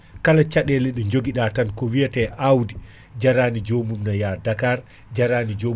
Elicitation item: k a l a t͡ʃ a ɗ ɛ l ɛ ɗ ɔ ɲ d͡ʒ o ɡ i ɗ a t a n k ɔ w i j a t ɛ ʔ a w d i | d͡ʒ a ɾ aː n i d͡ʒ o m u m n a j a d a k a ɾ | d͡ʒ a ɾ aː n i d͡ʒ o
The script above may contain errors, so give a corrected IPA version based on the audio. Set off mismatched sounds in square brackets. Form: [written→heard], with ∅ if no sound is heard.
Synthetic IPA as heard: k a l a t͡ʃ a ɗ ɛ l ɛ ɗ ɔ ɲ d͡ʒ o ɡ i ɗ a t a n k ɔ w i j a t ɛ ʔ a w d i | d͡ʒ a ɾ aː n i d͡ʒ o m u m n a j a d a k a ɾ | d͡ʒ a ɾ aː n i d͡ʒ o